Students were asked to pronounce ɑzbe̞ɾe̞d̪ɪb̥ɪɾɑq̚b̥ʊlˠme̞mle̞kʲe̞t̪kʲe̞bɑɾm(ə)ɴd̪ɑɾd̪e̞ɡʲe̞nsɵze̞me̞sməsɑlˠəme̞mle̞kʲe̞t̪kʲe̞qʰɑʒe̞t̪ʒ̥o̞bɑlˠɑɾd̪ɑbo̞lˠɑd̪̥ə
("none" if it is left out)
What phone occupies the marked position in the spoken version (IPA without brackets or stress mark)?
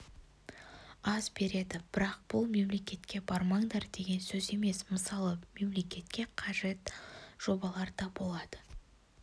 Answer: ɑ